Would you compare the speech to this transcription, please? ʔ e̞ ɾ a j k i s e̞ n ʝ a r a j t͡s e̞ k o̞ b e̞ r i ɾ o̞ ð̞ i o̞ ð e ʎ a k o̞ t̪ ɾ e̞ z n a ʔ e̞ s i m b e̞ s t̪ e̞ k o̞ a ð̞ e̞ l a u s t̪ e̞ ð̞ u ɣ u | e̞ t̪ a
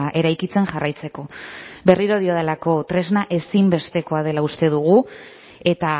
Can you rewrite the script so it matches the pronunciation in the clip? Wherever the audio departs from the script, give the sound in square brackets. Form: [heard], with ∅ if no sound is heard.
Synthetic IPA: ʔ e̞ ɾ a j k i [t͡s] e̞ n ʝ a r a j t͡s e̞ k o̞ b e̞ r i ɾ o̞ ð̞ i o̞ ð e [l] a k o̞ t̪ ɾ e̞ z n a ʔ e̞ s i m b e̞ s t̪ e̞ k o̞ a ð̞ e̞ l a u s t̪ e̞ ð̞ u ɣ u | e̞ t̪ a